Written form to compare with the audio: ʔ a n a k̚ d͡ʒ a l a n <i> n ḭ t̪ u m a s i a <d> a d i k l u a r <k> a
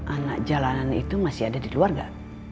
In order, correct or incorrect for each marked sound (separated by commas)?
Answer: incorrect, correct, incorrect